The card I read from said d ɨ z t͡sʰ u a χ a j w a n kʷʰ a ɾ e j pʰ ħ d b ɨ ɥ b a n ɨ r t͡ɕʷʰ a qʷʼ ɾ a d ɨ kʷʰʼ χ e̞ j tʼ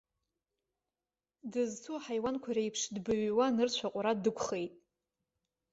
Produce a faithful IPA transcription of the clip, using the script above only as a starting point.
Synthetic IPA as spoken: d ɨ z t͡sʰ u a ħ a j w a n kʷʰ a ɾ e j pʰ ʂ d b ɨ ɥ w a n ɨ r t͡ɕʷʰ a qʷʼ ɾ a d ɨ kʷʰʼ χ e̞ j tʼ